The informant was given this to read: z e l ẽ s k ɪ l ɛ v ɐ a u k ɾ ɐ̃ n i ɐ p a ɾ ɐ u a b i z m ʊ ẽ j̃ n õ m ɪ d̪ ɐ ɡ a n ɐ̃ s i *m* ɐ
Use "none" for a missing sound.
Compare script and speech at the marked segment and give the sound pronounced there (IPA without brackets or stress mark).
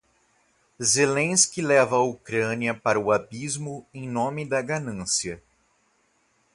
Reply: none